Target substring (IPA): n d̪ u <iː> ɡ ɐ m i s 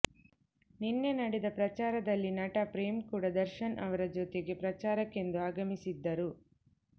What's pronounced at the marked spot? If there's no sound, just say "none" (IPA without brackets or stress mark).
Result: aː